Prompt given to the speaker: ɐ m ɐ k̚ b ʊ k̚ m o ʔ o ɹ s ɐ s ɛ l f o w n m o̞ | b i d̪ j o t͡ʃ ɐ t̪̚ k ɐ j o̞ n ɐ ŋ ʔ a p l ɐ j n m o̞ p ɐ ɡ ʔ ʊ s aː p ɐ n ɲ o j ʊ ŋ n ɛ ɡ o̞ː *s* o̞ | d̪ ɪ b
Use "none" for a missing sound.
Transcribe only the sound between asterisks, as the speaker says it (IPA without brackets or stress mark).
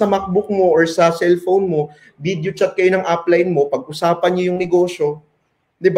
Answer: ʃ